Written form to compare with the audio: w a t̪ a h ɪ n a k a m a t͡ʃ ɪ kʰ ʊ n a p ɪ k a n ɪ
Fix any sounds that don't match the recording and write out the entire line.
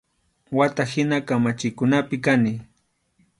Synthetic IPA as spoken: w a t̪ a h ɪ n a k a m a t͡ʃ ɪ k ʊ n a p ɪ k a n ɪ